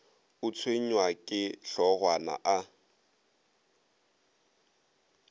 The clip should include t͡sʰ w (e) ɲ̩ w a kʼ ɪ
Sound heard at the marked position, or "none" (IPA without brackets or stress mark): e